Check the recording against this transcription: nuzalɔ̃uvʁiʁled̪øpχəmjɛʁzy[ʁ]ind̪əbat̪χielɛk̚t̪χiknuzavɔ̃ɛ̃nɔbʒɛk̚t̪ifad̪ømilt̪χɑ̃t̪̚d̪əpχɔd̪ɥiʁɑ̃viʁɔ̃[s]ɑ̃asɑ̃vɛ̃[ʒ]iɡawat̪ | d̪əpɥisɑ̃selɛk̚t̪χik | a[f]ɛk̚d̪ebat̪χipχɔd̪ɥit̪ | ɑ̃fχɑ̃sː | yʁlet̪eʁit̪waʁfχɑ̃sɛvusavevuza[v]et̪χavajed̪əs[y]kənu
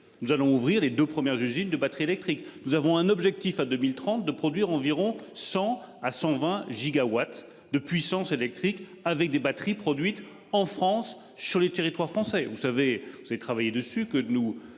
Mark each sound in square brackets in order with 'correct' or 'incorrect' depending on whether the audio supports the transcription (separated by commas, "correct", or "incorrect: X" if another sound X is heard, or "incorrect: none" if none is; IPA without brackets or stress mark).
incorrect: z, correct, correct, incorrect: v, correct, correct